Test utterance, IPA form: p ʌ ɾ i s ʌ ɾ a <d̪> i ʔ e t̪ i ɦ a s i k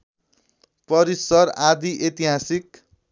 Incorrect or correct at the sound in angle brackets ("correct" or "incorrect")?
correct